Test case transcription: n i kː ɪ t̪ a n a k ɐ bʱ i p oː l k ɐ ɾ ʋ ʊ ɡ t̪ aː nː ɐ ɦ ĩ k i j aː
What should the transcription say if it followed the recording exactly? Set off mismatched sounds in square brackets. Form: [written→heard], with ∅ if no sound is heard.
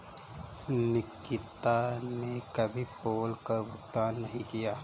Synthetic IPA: n [i→ɪ] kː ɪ t̪ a n [a→e] k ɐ bʱ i p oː l k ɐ ɾ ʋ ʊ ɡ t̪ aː nː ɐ ɦ ĩ k i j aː